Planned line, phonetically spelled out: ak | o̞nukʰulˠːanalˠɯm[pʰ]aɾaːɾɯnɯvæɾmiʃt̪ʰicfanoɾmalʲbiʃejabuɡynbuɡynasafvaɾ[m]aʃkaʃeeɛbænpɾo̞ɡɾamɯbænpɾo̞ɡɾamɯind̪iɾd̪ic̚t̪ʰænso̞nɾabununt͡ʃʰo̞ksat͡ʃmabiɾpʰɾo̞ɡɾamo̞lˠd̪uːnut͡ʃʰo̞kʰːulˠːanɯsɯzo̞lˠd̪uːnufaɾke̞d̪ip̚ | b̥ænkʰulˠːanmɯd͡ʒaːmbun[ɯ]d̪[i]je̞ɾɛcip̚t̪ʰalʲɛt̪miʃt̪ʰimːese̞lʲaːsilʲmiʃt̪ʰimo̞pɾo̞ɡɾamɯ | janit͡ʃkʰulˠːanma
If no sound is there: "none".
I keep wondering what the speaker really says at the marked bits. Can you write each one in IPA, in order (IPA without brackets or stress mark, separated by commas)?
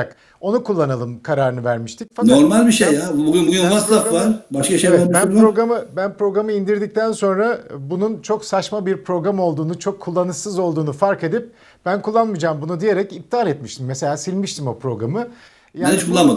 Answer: kʰ, b, u, i